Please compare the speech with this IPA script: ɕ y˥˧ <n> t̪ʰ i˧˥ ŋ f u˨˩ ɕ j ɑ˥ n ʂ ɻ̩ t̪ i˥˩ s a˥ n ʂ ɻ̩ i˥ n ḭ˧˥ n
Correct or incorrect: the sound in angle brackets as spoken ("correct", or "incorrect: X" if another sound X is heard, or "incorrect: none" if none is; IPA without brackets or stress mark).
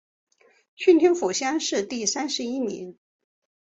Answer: correct